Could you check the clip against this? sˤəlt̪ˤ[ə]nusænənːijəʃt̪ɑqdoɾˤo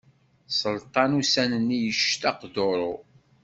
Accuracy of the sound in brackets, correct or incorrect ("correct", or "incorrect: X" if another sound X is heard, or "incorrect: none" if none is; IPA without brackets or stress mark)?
incorrect: ɑ